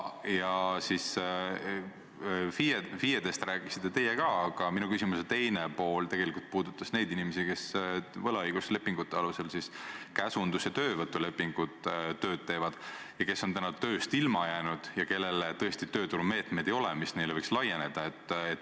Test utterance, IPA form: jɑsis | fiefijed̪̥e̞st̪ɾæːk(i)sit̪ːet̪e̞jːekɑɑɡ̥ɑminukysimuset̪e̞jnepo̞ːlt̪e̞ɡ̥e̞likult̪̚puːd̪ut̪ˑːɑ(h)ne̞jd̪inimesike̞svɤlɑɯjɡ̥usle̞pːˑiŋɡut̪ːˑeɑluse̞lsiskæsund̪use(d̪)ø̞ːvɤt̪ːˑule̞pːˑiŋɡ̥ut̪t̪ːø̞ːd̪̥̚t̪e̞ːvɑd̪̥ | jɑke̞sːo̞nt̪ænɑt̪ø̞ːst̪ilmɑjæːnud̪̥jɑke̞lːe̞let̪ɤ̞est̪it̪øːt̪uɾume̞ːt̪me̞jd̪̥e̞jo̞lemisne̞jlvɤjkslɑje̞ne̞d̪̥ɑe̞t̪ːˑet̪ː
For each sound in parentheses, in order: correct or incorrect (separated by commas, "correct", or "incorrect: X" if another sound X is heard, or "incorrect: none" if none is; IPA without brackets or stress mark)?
correct, incorrect: s, incorrect: t̪